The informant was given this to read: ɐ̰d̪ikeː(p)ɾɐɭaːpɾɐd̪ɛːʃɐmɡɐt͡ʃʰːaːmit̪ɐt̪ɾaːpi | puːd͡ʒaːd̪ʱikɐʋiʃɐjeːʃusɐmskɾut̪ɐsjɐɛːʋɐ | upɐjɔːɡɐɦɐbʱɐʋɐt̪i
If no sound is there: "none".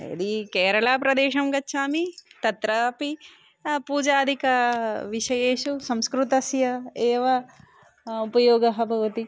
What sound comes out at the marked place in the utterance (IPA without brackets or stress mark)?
none